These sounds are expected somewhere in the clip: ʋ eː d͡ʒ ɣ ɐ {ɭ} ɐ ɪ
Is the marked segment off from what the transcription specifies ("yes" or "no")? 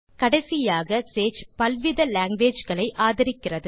no